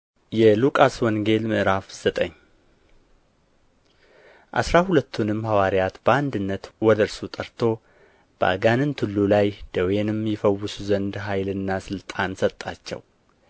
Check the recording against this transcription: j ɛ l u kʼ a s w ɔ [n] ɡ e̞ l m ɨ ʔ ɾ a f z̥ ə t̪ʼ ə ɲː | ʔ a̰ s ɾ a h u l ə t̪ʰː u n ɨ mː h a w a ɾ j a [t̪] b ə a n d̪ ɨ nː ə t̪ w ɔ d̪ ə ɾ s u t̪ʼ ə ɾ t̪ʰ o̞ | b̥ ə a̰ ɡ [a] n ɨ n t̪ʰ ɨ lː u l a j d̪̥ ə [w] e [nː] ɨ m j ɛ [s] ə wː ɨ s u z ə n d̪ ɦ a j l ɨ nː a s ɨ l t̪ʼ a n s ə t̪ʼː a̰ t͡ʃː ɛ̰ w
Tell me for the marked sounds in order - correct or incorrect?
incorrect: ŋ, correct, correct, correct, incorrect: n, incorrect: f

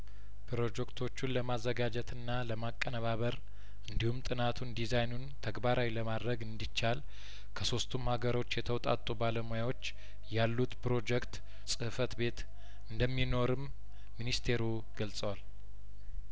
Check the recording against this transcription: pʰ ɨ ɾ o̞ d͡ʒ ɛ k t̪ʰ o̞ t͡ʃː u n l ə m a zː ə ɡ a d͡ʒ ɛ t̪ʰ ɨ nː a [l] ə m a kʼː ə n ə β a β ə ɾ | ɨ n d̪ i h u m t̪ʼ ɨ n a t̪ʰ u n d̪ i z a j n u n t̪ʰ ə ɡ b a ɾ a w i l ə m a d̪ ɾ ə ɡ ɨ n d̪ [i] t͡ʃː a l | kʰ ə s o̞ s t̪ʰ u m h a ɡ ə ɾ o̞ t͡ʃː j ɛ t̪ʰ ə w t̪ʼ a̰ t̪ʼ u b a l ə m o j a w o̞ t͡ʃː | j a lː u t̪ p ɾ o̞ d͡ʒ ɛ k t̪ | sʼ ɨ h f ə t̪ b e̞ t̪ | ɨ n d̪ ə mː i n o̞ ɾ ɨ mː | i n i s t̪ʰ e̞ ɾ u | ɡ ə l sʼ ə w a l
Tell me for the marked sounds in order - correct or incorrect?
correct, correct

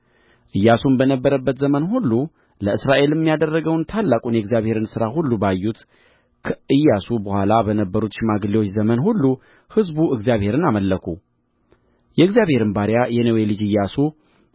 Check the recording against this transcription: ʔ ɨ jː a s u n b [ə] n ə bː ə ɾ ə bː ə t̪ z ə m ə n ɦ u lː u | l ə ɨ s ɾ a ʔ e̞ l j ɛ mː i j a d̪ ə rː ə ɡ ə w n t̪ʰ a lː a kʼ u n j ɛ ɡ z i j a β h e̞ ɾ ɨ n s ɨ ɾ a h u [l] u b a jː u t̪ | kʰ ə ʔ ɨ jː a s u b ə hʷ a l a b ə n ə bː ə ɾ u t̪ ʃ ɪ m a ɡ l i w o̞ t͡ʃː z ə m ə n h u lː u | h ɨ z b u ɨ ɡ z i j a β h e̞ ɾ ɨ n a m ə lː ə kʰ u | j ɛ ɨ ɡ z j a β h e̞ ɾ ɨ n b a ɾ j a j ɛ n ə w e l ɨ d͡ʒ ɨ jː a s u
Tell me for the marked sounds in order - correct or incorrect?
correct, incorrect: lː

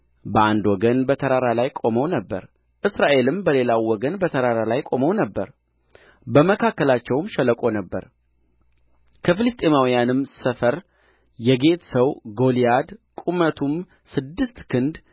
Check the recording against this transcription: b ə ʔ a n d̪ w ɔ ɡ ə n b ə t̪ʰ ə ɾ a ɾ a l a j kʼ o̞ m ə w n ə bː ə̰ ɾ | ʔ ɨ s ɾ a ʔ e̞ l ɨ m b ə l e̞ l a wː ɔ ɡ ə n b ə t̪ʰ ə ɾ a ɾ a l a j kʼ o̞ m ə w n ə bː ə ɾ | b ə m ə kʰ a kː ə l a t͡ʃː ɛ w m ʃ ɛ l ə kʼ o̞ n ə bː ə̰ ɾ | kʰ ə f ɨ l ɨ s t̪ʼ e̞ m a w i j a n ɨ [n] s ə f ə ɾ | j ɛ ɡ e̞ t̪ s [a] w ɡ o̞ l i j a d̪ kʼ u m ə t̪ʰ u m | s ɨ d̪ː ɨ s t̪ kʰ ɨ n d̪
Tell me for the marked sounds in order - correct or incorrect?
incorrect: m, incorrect: ə

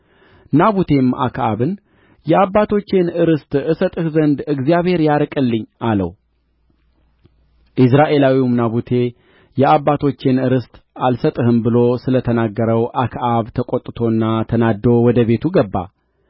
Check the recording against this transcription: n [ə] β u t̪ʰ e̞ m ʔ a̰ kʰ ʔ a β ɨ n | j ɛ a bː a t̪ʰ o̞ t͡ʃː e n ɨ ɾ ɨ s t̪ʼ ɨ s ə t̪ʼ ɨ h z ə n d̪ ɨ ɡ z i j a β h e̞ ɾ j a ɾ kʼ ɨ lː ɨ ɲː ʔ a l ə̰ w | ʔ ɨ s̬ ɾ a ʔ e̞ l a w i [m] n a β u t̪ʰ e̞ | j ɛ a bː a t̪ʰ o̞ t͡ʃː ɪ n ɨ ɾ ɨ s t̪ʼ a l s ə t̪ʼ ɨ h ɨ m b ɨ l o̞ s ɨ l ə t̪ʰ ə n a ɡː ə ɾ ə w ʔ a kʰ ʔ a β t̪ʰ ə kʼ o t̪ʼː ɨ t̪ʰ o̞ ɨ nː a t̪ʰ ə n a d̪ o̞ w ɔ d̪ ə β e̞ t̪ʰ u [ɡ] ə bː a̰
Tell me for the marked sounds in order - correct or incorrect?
incorrect: a, correct, correct

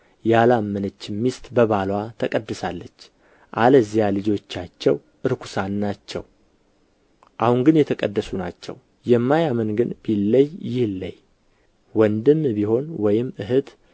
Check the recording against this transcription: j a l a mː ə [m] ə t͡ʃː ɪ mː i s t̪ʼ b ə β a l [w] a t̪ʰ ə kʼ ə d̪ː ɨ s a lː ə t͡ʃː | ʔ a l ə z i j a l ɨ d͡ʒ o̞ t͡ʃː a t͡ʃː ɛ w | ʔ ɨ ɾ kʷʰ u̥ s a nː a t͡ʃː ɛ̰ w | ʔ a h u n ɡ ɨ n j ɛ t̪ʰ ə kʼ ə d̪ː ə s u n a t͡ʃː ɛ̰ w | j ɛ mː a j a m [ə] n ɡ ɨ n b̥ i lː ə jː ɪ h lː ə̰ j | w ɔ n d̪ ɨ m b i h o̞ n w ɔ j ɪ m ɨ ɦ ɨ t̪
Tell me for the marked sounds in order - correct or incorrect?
incorrect: n, correct, correct

